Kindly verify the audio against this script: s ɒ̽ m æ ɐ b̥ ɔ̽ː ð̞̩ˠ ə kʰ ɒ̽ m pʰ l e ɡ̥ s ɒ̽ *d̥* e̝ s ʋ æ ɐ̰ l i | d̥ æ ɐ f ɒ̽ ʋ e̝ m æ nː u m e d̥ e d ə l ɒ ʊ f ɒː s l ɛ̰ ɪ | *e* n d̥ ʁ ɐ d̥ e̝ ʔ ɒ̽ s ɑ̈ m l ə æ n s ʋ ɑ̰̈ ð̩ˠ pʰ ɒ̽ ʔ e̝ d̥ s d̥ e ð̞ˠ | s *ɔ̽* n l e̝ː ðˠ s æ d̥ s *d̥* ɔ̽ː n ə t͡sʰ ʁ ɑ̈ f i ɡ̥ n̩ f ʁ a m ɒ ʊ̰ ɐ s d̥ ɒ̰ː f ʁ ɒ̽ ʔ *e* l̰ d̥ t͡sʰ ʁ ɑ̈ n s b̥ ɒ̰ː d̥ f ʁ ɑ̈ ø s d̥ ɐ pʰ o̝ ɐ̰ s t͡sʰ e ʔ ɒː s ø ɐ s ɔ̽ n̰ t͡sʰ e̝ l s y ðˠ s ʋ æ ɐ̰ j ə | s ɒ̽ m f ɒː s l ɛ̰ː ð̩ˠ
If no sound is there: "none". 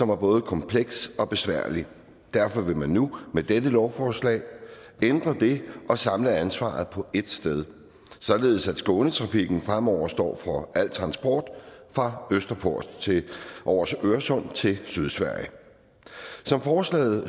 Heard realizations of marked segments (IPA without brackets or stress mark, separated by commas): b̥, e, ɒ̽, ɡ̥, æ